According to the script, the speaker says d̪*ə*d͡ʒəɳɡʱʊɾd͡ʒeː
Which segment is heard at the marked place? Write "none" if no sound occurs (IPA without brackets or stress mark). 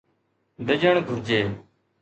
ə